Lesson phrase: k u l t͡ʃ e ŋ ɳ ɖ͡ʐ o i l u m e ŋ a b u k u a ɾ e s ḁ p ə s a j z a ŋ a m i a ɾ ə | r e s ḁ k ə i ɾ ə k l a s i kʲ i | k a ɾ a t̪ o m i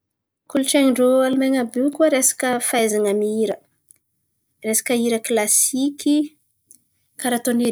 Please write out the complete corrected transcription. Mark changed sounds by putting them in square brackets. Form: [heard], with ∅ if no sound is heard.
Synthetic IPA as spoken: k u l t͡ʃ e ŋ ɳ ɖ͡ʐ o [a] l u m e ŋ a b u k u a ɾ e s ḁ [k] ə [f] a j z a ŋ a m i [i] ɾ ə | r e s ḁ k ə i ɾ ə k l a s i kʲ i | k a ɾ a t̪ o [n] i